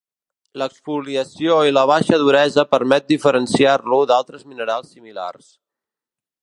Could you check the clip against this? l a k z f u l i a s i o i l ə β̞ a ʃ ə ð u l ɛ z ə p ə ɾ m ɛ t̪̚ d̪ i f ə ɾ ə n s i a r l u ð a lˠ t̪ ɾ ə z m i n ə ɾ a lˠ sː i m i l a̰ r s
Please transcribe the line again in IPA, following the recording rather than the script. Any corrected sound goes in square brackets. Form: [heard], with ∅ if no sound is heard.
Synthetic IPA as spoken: l [ə] k [s] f u l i [ə] s i o i l ə β̞ a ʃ ə ð u [ɾ] ɛ z ə p ə ɾ m ɛ t̪̚ d̪ i f ə ɾ ə n s i a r l u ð a lˠ t̪ ɾ ə z m i n ə ɾ a lˠ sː i m i l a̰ r s